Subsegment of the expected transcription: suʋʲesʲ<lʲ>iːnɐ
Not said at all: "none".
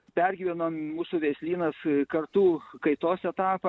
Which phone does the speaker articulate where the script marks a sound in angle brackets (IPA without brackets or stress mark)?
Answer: lʲ